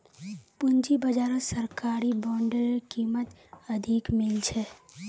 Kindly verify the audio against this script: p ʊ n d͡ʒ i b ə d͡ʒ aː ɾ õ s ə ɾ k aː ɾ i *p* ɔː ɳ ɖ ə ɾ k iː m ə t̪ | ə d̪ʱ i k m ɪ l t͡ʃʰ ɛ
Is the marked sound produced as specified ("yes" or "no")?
no